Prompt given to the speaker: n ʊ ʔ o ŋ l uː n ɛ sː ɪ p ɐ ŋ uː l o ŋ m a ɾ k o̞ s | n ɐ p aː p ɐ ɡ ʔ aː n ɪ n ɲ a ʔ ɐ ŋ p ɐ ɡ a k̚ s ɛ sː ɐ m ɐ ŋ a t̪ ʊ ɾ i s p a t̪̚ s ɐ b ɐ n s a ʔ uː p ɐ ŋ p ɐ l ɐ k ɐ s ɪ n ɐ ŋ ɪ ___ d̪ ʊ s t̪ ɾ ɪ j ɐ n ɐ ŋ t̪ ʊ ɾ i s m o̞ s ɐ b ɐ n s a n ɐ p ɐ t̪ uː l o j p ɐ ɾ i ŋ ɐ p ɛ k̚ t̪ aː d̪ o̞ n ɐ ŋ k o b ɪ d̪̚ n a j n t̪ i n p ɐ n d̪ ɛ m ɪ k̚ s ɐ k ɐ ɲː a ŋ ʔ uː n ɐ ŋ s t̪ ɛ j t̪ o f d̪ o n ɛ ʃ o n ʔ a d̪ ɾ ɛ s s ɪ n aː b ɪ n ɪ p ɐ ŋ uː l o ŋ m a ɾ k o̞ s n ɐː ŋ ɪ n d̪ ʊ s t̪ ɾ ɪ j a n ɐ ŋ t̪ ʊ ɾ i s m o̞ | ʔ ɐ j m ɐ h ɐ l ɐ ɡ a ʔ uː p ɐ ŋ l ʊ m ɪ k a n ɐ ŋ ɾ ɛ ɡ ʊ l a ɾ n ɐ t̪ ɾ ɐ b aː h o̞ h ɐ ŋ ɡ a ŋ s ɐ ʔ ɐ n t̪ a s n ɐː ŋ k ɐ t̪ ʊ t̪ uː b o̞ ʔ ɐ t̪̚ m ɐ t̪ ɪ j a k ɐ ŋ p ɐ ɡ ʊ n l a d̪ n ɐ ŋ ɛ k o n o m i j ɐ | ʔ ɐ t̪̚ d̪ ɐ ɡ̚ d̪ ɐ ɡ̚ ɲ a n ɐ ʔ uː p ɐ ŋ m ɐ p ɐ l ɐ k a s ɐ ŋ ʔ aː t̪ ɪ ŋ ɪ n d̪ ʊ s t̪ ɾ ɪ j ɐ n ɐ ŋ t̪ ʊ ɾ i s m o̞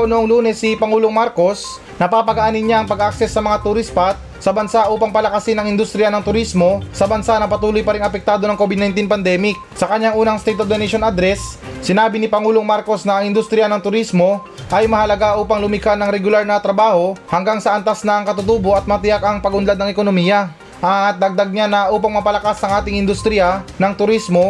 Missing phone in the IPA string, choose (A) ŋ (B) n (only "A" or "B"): B